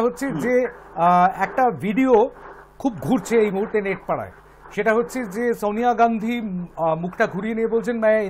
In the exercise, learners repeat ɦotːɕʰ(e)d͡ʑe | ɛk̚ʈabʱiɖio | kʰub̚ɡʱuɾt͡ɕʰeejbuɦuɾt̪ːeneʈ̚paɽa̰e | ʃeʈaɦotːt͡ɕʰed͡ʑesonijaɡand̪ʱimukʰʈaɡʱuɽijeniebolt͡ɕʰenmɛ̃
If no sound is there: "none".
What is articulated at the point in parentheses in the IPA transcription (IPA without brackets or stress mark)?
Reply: e